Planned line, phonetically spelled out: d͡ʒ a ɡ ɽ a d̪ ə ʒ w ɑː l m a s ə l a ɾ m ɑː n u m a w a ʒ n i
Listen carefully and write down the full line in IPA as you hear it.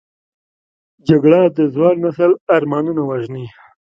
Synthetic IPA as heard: d͡ʒ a ɡ ɽ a d̪ ə z w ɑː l n a s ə l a ɾ m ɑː n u n a w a ʒ n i